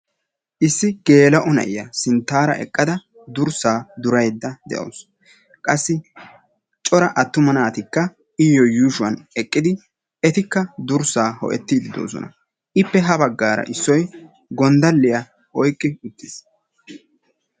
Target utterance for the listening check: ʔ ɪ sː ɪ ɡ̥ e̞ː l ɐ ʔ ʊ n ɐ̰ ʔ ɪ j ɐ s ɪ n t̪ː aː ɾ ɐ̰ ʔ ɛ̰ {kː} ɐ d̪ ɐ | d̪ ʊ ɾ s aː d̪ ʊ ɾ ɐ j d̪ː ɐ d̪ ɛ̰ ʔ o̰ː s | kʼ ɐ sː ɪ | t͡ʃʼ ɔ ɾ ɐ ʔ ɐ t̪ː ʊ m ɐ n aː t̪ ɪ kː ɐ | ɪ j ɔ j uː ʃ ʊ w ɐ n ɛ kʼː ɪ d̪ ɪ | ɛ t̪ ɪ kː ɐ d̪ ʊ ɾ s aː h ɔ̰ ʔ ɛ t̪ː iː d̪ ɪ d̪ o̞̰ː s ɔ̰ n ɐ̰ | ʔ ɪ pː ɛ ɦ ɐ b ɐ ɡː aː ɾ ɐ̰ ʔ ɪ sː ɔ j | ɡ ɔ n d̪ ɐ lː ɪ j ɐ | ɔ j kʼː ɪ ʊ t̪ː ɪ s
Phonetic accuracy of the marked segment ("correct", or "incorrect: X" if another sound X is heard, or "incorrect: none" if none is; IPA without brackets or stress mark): incorrect: kʼː